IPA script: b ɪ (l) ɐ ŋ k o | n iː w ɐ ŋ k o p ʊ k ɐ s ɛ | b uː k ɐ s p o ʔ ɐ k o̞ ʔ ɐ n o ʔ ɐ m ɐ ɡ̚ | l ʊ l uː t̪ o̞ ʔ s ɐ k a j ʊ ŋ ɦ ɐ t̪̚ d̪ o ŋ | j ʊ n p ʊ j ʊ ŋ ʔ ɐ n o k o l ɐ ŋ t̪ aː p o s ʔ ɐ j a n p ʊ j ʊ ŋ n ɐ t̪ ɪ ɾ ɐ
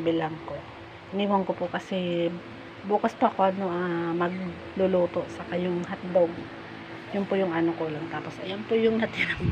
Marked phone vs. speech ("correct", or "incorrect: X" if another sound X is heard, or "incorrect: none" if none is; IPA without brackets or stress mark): correct